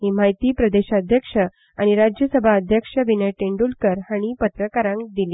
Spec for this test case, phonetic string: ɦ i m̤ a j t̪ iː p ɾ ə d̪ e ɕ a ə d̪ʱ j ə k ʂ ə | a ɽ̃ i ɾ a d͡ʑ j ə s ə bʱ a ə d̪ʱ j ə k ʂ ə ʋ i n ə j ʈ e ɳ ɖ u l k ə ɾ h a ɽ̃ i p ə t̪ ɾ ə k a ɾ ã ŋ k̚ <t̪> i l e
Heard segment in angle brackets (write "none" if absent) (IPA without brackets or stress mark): d̪